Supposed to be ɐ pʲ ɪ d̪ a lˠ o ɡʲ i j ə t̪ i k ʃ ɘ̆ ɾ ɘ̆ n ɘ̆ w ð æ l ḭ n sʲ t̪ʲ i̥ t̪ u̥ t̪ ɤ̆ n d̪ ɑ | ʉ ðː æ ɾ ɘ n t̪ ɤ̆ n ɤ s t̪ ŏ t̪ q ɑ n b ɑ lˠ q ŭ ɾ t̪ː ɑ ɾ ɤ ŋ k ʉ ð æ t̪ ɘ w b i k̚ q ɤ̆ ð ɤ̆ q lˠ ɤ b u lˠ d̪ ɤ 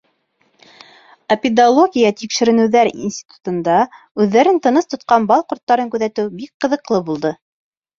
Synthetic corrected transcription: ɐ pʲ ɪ d̪ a lˠ o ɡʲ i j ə t̪ i k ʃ ɘ̆ ɾ ɘ̆ n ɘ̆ w ð æ ɾ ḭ n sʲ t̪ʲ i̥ t̪ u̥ t̪ ɤ̆ n d̪ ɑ | ʉ ðː æ ɾ ɘ n t̪ ɤ̆ n ɤ s t̪ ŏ t̪ q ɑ n b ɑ lˠ q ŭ ɾ t̪ː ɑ ɾ ɤ ŋ k ʉ ð æ t̪ ɘ w b i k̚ q ɤ̆ ð ɤ̆ q lˠ ɤ b u lˠ d̪ ɤ

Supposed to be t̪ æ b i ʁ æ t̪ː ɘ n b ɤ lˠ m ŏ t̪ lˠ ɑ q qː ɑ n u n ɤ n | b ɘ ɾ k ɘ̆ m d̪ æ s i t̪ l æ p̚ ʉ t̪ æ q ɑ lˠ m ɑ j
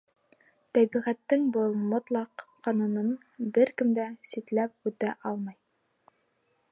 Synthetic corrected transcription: t̪ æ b i ʁ æ t̪ː ɘ ŋ b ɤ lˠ m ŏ t̪ lˠ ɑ q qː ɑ n u n ɤ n | b ɘ ɾ k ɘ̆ m d̪ æ s i t̪ l æ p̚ ʉ t̪ æ ʔ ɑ lˠ m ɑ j

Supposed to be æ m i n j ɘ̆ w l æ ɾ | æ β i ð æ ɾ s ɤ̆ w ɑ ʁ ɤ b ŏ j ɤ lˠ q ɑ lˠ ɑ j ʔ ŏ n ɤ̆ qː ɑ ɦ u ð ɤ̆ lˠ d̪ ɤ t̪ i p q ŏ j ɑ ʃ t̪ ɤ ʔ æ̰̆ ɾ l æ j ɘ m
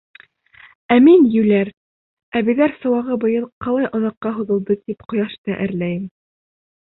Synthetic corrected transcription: æ m i n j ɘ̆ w l æ ɾ | æ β i ð æ ɾ s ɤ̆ w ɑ ʁ ɤ b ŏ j ɤ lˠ q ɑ lˠ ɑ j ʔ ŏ n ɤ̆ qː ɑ ɦ u ð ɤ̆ lˠ d̪ ɤ t̪ i p q ŏ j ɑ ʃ t̪ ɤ ʔ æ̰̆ ɾ l æ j ɘ m

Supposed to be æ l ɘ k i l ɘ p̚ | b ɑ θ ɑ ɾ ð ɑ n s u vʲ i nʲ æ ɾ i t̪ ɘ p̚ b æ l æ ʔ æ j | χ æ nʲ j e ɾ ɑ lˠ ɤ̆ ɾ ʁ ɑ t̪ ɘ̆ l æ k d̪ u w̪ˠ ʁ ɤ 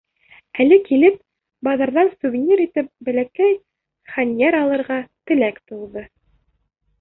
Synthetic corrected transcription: æ l ɘ k i l ɘ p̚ | b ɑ ð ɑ ɾ ð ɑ n s u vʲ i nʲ i ɾ i t̪ ɘ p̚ b æ l æ k æ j | χ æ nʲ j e ɾ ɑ lˠ ɤ̆ ɾ ʁ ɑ t̪ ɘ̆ l æ k t̪ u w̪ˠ ð ɤ

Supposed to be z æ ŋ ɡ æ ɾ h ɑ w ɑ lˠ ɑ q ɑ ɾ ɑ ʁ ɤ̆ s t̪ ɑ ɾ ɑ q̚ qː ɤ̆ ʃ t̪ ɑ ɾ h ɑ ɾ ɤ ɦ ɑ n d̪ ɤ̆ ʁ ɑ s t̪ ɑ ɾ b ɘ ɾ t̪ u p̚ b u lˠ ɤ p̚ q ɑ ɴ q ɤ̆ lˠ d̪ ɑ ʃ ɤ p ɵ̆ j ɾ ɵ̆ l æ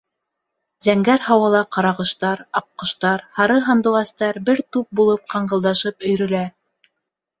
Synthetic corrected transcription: z æ ŋ ɡ æ ɾ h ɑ w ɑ lˠ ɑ q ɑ ɾ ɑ ʁ ɤ̆ ʃ t̪ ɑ ɾ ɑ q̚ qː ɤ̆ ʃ t̪ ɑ ɾ h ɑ ɾ ɤ ɦ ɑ n d̪ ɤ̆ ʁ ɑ s t̪ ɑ ɾ b ɘ ɾ t̪ u p̚ b u lˠ ɤ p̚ q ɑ ɴ ɢ ɤ̆ lˠ d̪ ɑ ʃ ɤ p ɵ̆ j ɾ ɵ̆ l æ

